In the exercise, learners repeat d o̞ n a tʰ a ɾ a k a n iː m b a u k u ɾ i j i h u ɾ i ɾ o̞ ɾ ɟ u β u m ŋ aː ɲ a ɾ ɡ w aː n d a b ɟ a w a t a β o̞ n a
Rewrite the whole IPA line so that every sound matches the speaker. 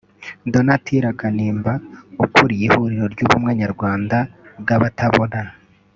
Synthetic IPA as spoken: d o̞ n a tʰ i ɾ a k a n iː m b a u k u ɾ i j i h u ɾ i ɾ o̞ ɾ ɟ u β u m ŋ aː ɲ a ɾ ɡ w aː n d a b ɡ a β a t a β o̞ n a